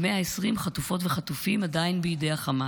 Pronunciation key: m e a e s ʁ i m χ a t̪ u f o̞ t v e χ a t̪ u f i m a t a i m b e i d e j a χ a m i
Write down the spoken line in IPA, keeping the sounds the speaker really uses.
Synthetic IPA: m e a e s ʁ i m χ a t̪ u f o̞ t v e χ a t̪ u f i m a d a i n b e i d e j a χ a m a